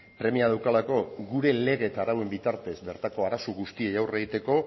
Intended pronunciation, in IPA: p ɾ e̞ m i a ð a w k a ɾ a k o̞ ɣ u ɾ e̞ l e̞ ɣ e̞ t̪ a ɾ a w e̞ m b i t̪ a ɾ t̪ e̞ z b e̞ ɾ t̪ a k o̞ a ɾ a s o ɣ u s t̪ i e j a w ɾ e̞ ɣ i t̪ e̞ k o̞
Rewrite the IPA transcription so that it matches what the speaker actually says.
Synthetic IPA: p ɾ e̞ m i a ð a w k a l a k o̞ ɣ u ɾ e̞ l e̞ ɣ e̞ t̪ a ɾ a w e̞ m b i t̪ a ɾ t̪ e̞ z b e̞ ɾ t̪ a k o̞ a ɾ a s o ɣ u s t̪ i e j a w r e̞ ɣ i t̪ e̞ k o̞